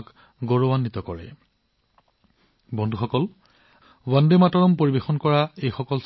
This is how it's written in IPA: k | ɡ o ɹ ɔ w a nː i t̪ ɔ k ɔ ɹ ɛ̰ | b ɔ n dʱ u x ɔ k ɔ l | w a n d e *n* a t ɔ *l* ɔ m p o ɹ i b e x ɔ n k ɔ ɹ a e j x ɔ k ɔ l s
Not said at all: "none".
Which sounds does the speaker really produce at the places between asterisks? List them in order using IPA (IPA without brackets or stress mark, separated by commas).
m, ɹ